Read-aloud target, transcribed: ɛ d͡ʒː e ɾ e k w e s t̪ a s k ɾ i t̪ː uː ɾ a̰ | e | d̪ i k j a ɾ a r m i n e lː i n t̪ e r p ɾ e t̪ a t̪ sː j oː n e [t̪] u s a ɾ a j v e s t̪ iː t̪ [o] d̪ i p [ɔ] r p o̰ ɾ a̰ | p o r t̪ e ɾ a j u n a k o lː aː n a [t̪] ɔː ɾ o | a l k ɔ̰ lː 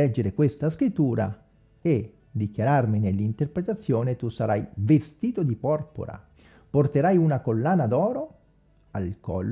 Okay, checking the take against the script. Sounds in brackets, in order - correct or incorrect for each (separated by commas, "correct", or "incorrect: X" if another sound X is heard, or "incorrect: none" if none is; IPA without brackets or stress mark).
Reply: correct, correct, correct, incorrect: d̪